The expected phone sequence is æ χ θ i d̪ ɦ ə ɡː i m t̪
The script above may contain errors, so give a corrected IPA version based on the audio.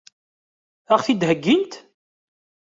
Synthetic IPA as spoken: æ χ θ i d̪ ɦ ə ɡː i n t̪